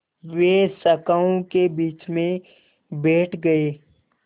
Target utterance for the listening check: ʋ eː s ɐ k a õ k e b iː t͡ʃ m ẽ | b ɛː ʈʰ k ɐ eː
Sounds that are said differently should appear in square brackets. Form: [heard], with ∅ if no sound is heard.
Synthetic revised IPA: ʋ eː s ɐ k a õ k e b iː t͡ʃ m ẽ | b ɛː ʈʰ [ɡ] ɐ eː